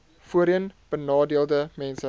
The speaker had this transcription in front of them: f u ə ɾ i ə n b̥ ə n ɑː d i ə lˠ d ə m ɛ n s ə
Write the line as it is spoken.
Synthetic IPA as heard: f u ə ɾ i ə n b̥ ə n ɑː d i ə lˠ d ə m ɛ n s ə